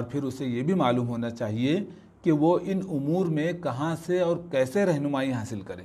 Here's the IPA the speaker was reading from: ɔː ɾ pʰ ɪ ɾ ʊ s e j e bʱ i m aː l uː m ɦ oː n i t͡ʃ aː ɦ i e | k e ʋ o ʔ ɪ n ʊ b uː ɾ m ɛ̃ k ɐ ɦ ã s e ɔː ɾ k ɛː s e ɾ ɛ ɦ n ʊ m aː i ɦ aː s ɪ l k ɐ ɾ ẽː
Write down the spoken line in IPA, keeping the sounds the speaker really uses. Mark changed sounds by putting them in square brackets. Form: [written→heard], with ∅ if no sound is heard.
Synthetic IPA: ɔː ɾ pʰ ɪ ɾ ʊ s e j e bʱ i m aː l uː m ɦ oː n [i→a] t͡ʃ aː ɦ i e | k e ʋ o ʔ ɪ n ʊ [b→m] uː ɾ m [ɛ̃→ẽ] k ɐ ɦ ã s e ɔː ɾ k ɛː s e ɾ ɛ ɦ n ʊ m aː i ɦ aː s ɪ l k ɐ ɾ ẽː